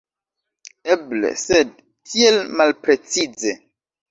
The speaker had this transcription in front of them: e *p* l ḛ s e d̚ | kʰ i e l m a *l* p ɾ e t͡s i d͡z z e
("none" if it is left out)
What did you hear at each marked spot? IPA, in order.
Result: b, l

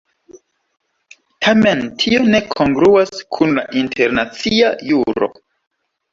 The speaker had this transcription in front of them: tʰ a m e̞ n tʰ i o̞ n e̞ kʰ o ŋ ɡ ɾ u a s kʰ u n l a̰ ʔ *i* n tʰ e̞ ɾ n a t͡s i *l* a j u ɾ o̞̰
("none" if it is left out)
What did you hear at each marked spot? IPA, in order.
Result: i, none

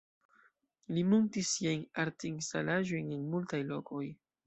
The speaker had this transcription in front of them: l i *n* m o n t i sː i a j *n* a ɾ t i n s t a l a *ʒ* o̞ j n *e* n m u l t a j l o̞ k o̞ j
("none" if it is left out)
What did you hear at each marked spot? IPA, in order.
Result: none, n, ʒ, e

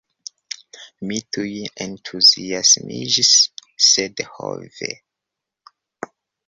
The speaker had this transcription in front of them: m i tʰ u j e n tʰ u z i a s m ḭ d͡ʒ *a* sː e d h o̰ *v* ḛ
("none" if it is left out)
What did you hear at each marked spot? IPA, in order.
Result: i, v

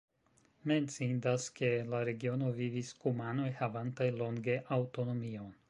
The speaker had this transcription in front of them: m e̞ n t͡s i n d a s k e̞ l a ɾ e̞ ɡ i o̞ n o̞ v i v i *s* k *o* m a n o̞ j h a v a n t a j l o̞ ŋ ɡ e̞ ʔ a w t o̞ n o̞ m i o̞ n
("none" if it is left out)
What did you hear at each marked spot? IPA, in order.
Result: s, u

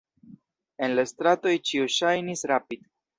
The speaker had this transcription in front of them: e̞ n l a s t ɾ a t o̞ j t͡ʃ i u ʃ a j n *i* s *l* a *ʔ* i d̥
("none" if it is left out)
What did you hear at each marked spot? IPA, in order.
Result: i, ɾ, p

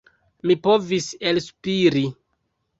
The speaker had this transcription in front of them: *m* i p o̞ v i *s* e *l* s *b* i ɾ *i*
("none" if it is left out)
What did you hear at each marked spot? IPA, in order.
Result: m, s, l, p, i

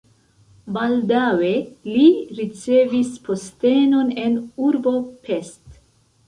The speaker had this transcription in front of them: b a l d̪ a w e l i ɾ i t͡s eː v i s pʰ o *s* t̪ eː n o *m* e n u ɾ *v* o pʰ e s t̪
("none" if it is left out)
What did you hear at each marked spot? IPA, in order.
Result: s, n, b

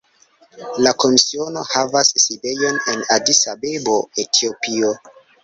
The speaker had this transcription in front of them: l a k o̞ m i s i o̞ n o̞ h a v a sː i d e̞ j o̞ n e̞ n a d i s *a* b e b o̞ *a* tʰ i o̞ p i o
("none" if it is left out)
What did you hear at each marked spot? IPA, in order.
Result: a, e

